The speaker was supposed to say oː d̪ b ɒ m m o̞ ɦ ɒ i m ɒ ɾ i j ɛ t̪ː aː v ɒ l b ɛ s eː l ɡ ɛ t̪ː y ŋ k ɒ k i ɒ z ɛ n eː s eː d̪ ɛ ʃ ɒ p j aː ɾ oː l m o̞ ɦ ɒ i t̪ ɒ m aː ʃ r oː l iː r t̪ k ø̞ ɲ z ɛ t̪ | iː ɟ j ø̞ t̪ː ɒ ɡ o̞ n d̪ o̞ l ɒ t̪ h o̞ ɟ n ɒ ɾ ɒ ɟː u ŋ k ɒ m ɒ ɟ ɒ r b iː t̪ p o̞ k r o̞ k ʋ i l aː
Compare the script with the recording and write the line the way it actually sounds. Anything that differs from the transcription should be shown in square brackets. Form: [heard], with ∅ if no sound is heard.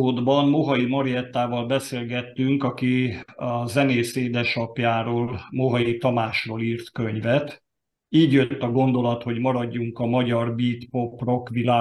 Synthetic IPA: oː d̪ b ɒ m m o̞ ɦ ɒ i m ɒ ɾ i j ɛ t̪ː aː v ɒ l b ɛ s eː l ɡ ɛ t̪ː y ŋ k ɒ k i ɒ z ɛ n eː s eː d̪ ɛ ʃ ɒ p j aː ɾ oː l m o̞ ɦ ɒ i t̪ ɒ m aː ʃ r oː l iː r t̪ k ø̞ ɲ [v] ɛ t̪ | iː ɟ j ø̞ t̪ː ɒ ɡ o̞ n d̪ o̞ l ɒ t̪ h o̞ ɟ [m] ɒ ɾ ɒ ɟː u ŋ k ɒ m ɒ ɟ ɒ r b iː t̪ p o̞ [p] r o̞ k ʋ i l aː